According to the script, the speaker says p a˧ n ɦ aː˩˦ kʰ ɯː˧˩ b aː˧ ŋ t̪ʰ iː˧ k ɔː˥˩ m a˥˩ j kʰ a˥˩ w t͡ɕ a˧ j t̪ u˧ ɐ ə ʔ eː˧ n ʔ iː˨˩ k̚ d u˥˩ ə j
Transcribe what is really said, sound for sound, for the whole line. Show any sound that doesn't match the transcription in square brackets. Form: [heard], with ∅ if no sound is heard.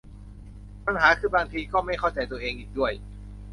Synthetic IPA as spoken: p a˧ n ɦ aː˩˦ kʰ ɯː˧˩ b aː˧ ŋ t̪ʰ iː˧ k ɔː˥˩ m a˥˩ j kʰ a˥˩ w t͡ɕ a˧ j t̪ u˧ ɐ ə ʔ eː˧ [ŋ] ʔ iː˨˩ k̚ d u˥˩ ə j